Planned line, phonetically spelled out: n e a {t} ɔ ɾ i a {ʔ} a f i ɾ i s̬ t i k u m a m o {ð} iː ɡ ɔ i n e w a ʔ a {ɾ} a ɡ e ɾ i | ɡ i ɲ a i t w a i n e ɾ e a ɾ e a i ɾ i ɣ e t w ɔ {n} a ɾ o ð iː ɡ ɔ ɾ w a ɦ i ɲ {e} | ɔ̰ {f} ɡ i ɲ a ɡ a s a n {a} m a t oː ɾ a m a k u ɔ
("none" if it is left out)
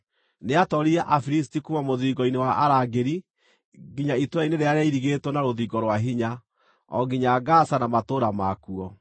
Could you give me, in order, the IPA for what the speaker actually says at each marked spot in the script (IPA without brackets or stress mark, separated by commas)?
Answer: t, ʔ, ð, ɾ, n, a, none, a